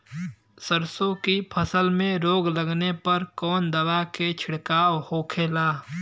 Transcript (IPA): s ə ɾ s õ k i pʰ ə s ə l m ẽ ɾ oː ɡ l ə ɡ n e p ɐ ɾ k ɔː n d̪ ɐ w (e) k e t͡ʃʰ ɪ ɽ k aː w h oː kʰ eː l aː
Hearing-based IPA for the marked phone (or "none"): a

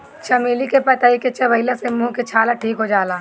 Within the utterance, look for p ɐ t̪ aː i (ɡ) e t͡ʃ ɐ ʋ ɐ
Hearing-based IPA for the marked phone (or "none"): k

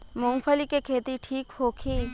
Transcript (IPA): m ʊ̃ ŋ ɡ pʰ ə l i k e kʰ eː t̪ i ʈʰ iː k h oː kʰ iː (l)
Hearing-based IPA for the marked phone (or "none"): none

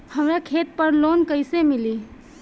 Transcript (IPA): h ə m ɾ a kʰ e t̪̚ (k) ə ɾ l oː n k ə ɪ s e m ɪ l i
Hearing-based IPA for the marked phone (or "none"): p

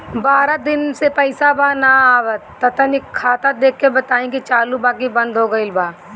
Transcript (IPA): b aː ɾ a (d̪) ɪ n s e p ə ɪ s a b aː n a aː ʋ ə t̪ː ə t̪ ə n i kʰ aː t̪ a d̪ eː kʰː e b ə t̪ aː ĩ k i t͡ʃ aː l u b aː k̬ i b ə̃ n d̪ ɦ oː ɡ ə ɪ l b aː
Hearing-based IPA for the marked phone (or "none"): d̪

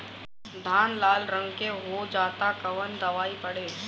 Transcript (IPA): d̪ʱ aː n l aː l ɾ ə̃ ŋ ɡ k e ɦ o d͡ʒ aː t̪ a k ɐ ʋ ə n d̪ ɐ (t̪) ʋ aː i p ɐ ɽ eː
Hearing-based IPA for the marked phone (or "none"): none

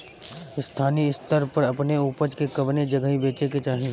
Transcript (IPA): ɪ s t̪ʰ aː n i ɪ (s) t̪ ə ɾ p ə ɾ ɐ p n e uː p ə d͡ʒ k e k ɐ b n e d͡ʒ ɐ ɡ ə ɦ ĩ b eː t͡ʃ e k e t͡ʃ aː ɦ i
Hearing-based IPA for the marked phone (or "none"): s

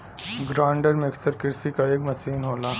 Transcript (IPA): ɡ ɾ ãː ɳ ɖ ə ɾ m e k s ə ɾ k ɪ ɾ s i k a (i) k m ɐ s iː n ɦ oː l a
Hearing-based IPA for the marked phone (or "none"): e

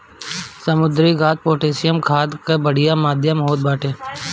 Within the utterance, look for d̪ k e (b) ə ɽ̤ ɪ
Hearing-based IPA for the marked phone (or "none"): b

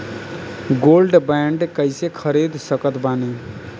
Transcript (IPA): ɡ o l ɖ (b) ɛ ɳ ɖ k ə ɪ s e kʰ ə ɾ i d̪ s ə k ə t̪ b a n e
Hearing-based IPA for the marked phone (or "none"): b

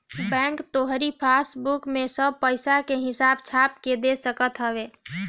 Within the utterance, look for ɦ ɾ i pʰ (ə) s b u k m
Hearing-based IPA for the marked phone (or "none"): a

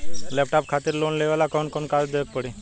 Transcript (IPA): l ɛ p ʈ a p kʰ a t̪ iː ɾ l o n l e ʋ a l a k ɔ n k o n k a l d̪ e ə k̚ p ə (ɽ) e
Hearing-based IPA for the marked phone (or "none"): ɽ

